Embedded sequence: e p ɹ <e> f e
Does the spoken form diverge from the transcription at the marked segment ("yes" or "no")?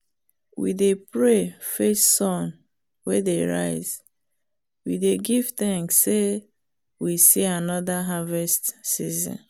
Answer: no